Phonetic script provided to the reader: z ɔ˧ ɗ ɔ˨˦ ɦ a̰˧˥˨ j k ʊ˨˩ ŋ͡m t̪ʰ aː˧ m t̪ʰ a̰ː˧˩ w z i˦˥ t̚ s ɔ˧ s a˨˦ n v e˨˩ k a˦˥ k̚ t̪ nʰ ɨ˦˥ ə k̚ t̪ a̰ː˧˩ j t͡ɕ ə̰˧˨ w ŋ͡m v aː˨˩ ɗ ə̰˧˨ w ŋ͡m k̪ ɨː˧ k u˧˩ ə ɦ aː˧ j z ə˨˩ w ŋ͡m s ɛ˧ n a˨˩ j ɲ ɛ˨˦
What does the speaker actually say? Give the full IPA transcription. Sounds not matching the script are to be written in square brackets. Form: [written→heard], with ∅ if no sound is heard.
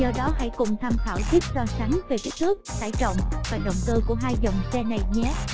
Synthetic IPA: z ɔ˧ ɗ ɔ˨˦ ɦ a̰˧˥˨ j k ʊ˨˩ ŋ͡m t̪ʰ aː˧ m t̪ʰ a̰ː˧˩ w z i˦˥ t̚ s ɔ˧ s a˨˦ [n→ŋ] v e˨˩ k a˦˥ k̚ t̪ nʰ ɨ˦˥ ə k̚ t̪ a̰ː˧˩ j t͡ɕ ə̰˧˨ w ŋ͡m v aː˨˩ ɗ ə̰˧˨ w ŋ͡m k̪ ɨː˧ k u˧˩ ə ɦ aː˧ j z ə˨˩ w ŋ͡m s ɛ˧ n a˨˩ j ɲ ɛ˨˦